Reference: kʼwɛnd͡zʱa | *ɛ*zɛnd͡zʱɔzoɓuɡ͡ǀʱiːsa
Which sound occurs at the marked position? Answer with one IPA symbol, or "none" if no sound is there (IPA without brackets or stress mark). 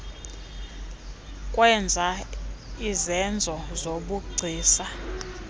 i